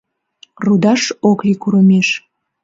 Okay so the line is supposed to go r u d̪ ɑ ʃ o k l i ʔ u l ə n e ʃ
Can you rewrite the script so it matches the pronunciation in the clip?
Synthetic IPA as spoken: r u d̪ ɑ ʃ o k l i k u ɾ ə m e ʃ